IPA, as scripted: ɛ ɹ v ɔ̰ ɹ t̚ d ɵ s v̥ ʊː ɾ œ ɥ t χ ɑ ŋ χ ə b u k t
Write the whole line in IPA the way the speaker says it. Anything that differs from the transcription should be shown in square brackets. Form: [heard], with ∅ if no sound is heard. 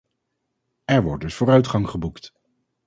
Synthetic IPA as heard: ɛ ɹ [ʋ] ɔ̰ ɹ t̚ d ɵ s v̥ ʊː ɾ œ ɥ t χ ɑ ŋ χ ə b u k t

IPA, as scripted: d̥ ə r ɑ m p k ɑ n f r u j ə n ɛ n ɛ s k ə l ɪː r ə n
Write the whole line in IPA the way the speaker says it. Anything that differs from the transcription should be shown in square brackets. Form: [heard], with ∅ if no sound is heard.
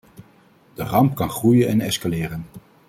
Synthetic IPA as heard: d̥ ə r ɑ m p k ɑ n [χ] r u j ə n ɛ n ɛ s k [a] l ɪː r ə n

